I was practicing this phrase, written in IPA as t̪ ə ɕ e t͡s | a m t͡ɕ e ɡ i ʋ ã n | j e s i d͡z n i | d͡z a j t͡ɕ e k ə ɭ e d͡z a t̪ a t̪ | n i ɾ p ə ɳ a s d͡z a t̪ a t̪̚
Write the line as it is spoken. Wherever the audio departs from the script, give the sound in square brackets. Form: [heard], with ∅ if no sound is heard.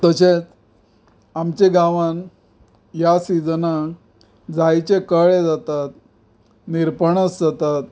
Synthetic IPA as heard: t̪ ə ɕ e t͡s | a m t͡ɕ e ɡ [a] ʋ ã n | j [a] s i d͡z n [a] | d͡z a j t͡ɕ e k ə ɭ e d͡z a t̪ a t̪ | n i ɾ p ə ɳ [ə] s d͡z a t̪ a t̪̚